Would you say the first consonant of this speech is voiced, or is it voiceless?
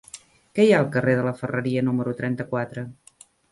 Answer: voiceless